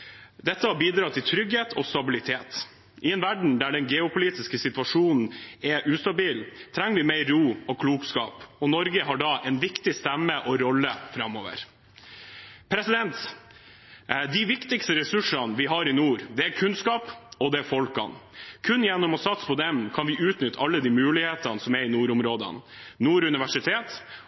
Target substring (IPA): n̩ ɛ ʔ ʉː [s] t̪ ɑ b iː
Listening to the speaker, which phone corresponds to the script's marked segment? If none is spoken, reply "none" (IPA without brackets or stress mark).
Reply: s